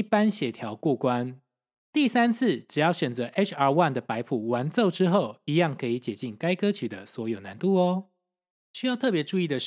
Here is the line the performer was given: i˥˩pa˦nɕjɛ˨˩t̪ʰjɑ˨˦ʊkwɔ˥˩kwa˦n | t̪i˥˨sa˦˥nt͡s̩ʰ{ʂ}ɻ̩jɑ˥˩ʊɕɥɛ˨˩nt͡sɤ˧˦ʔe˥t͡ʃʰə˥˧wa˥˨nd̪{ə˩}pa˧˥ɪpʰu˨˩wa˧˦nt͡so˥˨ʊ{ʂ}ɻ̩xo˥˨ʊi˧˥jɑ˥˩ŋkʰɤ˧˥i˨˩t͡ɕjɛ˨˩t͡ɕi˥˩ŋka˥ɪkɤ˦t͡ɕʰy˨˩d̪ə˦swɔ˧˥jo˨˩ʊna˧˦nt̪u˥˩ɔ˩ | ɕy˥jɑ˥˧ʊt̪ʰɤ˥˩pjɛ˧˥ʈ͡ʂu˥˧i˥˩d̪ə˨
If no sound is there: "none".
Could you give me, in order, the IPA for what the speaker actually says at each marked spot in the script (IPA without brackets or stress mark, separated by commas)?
ʈ͡ʂ, ə˩, ʈ͡ʂ